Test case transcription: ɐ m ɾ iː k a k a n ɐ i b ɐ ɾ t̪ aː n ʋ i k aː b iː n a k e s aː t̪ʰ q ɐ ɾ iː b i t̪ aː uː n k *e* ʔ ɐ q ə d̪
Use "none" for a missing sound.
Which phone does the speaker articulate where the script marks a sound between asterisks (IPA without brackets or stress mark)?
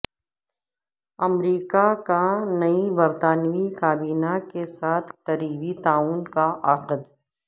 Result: a